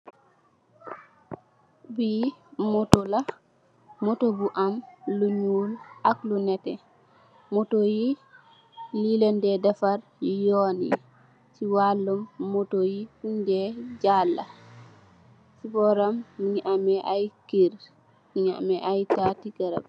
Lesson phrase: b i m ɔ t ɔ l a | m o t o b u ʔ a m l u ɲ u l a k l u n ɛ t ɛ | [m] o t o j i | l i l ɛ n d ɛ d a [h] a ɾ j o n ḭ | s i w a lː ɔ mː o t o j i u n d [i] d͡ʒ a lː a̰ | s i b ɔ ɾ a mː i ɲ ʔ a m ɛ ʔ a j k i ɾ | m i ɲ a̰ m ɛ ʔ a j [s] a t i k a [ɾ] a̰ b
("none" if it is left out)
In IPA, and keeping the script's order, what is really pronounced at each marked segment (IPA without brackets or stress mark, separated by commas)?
m, f, ɛ, t, ɾ